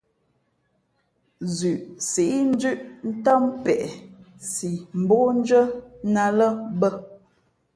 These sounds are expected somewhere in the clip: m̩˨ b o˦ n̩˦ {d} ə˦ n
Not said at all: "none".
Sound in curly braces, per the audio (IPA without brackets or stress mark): d͡ʒ